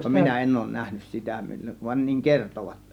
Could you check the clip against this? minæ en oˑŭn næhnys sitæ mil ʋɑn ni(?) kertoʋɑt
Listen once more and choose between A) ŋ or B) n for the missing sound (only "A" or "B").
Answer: A